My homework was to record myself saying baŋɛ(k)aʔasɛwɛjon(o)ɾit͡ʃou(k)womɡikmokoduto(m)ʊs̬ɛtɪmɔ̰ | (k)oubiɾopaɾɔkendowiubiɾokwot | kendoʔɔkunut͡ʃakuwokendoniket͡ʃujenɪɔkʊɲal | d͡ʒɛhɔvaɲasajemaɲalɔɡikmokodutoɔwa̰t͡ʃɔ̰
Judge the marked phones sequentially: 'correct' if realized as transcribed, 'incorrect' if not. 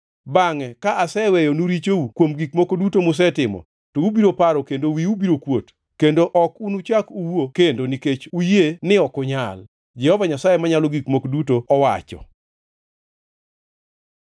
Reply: correct, incorrect, correct, correct, incorrect

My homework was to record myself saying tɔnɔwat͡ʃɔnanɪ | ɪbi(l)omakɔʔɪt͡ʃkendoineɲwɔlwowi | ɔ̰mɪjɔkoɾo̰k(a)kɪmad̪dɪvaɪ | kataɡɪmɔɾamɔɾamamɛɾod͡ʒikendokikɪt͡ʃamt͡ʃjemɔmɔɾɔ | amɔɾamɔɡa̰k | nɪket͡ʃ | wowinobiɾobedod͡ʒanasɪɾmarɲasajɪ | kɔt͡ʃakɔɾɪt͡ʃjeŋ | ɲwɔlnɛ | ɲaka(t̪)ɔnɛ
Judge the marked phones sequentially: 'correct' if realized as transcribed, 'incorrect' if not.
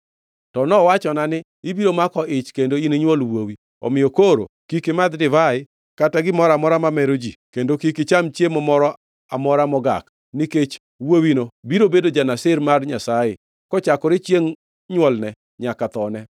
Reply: incorrect, incorrect, correct

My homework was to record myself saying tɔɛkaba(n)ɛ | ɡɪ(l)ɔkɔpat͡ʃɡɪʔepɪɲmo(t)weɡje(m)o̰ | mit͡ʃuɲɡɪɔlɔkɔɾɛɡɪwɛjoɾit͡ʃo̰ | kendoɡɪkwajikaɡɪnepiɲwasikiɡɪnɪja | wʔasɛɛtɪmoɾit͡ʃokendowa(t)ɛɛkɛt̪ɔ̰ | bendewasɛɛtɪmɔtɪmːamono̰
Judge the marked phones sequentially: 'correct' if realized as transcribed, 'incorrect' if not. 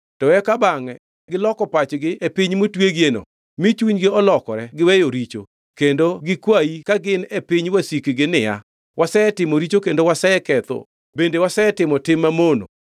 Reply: incorrect, correct, correct, incorrect, incorrect

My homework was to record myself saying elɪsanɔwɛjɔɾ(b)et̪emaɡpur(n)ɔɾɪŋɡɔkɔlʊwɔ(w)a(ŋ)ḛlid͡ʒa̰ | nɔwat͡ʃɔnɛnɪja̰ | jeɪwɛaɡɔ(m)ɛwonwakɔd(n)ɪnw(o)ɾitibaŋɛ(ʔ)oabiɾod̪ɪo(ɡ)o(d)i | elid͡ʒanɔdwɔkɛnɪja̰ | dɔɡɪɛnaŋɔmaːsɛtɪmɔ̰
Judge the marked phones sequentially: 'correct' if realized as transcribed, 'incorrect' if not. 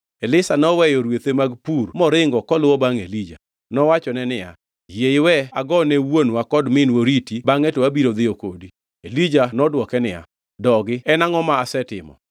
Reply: incorrect, incorrect, incorrect, correct, incorrect, incorrect, correct, incorrect, incorrect, correct

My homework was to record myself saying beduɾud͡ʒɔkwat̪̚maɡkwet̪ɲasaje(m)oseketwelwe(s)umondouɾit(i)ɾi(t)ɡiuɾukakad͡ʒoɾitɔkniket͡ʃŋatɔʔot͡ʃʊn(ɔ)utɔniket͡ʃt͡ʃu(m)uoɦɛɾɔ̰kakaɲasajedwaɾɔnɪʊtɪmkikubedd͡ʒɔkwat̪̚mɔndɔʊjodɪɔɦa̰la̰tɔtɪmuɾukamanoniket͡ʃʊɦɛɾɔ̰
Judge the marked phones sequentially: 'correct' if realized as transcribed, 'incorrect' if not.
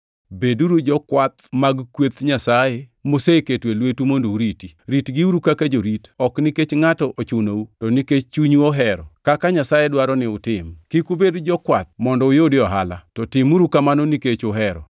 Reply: correct, incorrect, correct, correct, incorrect, incorrect

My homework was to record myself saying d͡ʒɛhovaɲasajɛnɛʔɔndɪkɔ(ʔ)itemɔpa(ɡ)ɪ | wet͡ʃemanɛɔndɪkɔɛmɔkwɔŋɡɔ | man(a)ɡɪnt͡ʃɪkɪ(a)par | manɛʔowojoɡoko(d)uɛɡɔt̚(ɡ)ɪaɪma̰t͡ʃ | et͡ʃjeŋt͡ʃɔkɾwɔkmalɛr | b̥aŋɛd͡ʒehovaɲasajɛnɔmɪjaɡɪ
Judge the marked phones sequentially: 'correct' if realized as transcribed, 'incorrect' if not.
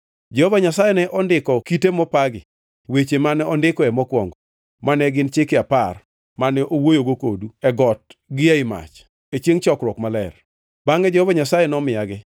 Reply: incorrect, correct, incorrect, correct, correct, correct

